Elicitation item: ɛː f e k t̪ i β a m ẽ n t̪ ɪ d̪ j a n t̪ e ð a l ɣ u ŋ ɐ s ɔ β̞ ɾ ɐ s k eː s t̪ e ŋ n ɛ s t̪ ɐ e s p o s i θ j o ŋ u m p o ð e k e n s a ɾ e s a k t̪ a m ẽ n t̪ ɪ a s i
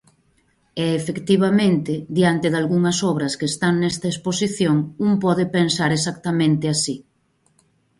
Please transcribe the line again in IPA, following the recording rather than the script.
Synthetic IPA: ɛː f e k t̪ i β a m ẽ n t̪ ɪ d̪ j a n t̪ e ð a l ɣ u ŋ ɐ s ɔ β̞ ɾ ɐ s k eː s t̪ a ŋ n ɛ s t̪ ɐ e s p o s i θ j o ŋ u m p ɔ ð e p e n s a ɾ e s a k t̪ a m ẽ n t̪ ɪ a s i